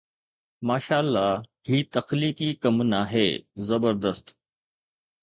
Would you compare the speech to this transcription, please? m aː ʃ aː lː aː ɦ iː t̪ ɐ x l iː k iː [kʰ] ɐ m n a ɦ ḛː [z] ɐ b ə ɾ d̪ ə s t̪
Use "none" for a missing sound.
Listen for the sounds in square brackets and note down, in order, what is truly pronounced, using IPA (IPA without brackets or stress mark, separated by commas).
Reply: k, z